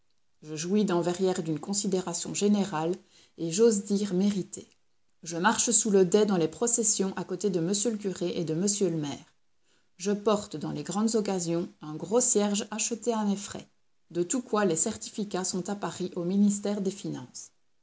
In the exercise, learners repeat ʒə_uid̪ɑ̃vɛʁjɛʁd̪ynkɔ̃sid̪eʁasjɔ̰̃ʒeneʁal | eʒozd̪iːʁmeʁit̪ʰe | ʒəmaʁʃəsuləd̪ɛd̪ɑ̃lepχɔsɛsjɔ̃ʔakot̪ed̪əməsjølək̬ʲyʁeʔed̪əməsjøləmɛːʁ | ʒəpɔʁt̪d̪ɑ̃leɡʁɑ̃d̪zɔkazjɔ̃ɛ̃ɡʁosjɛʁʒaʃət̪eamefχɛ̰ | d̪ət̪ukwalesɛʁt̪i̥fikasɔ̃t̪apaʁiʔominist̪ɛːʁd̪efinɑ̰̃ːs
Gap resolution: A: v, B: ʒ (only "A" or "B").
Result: B